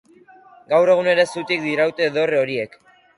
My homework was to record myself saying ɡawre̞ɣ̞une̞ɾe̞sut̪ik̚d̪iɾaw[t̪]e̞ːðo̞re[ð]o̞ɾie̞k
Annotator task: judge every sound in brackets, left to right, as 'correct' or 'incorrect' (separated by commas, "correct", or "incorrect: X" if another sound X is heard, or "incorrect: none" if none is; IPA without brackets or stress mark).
correct, incorrect: none